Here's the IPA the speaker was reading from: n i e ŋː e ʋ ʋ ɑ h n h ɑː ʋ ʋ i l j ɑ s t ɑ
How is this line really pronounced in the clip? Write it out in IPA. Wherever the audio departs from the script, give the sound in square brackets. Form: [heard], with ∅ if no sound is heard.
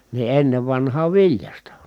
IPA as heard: n i e [nː] e ʋ ʋ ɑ [∅] n h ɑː ʋ ʋ i l j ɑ s t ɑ